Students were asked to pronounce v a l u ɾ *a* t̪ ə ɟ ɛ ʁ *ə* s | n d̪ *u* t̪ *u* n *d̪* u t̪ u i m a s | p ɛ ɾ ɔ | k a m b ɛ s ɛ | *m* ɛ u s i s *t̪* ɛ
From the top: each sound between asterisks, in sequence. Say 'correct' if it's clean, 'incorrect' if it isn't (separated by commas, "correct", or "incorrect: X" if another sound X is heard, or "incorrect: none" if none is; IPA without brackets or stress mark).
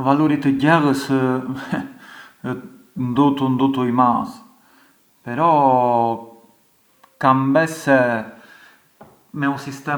incorrect: i, correct, correct, correct, correct, correct, correct